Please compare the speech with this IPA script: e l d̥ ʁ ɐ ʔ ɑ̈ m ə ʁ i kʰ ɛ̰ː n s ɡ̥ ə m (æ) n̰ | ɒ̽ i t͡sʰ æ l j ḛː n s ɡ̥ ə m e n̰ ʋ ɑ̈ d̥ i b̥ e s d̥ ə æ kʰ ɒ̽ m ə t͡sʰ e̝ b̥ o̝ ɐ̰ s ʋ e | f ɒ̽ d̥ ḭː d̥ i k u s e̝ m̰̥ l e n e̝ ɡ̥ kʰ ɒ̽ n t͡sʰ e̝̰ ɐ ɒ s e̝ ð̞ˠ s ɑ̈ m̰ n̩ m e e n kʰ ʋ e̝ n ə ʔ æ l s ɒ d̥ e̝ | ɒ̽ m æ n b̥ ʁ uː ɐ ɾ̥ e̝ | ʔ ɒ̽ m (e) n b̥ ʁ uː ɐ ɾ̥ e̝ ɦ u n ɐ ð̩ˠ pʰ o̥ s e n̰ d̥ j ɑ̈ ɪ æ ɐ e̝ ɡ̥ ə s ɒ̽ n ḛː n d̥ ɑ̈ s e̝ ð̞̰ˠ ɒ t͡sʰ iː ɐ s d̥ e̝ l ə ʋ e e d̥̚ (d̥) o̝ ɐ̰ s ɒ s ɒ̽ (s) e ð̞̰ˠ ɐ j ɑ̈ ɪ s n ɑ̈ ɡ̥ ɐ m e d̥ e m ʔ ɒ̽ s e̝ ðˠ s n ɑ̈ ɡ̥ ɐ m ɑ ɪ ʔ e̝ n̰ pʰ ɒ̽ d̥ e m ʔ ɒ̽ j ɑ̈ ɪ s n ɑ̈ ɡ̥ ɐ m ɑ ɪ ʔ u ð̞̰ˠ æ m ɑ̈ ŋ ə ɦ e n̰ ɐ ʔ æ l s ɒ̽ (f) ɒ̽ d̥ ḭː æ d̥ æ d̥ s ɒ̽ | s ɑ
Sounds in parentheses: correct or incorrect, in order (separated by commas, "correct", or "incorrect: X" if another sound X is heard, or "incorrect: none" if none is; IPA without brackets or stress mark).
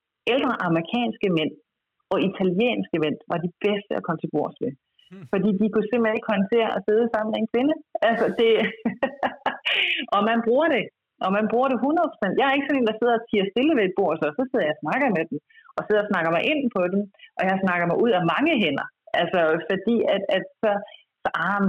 incorrect: e, incorrect: æ, incorrect: b̥, correct, correct